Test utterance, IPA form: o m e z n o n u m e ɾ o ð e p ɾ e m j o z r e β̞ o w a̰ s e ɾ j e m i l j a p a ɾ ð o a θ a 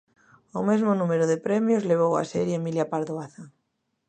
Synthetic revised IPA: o m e z m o n u m e ɾ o ð e p ɾ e m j o z l e β̞ o w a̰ s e ɾ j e m i l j a p a ɾ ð o a θ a

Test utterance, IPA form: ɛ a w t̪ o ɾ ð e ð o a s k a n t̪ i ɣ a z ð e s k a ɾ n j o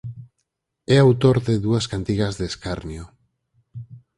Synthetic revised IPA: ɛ a w t̪ o ɾ ð e ð u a s k a n t̪ i ɣ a z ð e s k a ɾ n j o

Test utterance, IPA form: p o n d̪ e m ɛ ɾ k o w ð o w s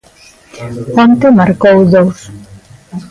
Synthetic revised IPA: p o n t̪ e m a ɾ k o w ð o w s

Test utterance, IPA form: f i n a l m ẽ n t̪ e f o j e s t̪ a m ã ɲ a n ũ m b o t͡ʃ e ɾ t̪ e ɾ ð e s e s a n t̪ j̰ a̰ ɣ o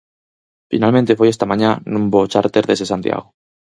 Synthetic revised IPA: f i n a l m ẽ n t̪ e f o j e s t̪ a m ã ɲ a n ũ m b o t͡ʃ a ɾ t̪ e ɾ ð e s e s a n t̪ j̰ a̰ ɣ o

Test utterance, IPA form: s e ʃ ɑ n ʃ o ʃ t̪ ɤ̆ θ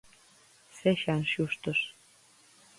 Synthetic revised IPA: s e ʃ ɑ n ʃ u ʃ t̪ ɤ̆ ʃ

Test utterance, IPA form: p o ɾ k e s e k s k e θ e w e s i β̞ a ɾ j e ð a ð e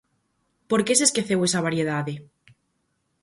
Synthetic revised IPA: p o ɾ k e s e s k e θ e w e s a β̞ a ɾ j e ð a ð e

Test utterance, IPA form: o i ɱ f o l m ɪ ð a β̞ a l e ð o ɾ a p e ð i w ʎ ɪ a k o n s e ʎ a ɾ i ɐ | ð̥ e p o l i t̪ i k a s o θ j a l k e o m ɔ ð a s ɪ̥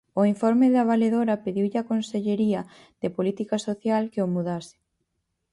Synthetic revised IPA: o i ɱ f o ɾ m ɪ ð a β̞ a l e ð o ɾ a p e ð i w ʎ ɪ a k o n s e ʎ e ɾ i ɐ | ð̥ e p o l i t̪ i k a s o θ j a l k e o m u ð a s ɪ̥

